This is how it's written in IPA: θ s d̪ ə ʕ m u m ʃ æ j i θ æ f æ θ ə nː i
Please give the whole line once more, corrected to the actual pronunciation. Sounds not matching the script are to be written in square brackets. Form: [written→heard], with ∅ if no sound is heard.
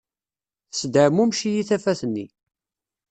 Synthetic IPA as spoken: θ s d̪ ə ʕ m u m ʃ [æ→i] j i θ æ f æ θ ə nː i